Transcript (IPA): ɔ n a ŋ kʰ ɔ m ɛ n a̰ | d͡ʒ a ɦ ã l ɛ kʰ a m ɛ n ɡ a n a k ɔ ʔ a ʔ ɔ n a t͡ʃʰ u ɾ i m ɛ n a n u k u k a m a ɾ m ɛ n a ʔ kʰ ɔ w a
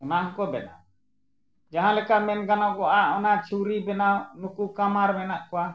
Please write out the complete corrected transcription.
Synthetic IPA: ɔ n a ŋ k ɔ b ɛ n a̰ | d͡ʒ a ɦ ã l ɛ k a m ɛ n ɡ a n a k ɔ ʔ a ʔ ɔ n a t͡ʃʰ u ɾ i b ɛ n a n u k u k a m a ɾ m ɛ n a ʔ k ɔ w a